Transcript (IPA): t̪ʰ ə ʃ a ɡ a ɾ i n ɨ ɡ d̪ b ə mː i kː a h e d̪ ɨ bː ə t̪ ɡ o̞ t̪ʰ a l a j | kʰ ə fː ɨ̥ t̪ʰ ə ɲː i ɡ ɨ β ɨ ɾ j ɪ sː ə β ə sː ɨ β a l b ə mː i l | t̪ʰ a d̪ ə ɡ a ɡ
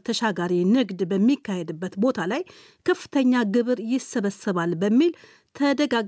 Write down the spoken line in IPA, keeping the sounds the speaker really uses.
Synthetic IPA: t̪ʰ ə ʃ a ɡ a ɾ i n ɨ ɡ d̪ b ə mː i kː a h e d̪ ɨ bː ə t̪ b o̞ t̪ʰ a l a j | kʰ ə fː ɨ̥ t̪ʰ ə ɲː a ɡ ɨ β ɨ ɾ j ɪ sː ə β ə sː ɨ β a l b ə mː i l | t̪ʰ ə d̪ ə ɡ a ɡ